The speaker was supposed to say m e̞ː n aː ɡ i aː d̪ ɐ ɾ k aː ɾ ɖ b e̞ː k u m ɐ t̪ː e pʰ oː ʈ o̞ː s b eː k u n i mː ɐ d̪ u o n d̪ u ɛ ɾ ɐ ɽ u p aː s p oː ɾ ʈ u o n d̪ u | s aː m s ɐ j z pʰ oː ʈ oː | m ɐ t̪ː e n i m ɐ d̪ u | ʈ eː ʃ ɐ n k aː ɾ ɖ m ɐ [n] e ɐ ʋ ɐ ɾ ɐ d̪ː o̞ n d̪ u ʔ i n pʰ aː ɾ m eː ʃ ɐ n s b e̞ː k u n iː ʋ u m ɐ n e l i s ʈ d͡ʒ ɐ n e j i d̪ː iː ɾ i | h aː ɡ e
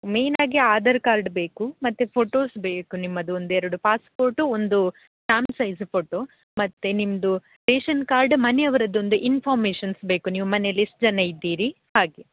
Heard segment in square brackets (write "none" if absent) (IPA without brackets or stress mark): n